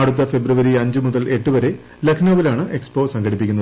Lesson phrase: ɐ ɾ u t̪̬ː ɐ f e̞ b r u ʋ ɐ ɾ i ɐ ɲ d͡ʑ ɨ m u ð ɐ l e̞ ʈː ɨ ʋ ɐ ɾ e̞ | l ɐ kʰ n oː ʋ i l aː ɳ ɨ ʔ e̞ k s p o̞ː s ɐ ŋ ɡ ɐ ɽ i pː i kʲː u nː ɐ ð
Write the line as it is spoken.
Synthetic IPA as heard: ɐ ɽ u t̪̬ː ɐ f e̞ b r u ʋ ɐ ɾ i ɐ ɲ d͡ʑ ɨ m u ð ɐ l e̞ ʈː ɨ ʋ ɐ ɾ e̞ | l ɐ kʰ n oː ʋ i l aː ɳ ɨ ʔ e̞ k s p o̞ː s ɐ ŋ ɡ ɐ ɽ i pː i kʲː u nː ɐ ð